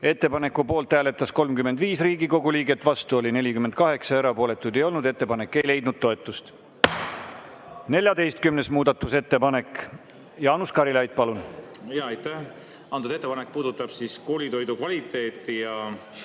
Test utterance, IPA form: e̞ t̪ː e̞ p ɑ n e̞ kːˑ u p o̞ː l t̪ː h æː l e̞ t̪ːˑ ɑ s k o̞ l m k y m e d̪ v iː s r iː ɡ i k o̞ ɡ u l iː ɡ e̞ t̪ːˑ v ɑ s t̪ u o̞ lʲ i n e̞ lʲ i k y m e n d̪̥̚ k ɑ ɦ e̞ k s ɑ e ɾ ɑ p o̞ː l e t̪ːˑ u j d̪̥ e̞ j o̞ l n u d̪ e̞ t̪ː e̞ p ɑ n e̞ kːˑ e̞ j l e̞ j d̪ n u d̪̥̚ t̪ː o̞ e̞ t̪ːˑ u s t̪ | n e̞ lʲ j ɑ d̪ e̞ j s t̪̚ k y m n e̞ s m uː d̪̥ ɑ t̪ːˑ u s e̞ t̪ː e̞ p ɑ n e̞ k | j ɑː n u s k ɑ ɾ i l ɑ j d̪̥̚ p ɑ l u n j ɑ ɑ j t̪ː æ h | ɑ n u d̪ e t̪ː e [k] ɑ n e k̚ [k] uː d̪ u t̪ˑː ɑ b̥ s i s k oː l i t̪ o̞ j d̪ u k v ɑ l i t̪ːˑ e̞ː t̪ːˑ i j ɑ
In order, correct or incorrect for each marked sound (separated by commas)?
incorrect, incorrect